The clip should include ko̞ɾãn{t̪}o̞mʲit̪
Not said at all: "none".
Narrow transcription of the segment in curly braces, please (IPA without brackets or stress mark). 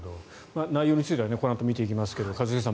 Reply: t̪